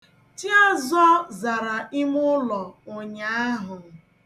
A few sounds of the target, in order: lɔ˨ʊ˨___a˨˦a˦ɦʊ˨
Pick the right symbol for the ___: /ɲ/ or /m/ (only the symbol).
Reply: ɲ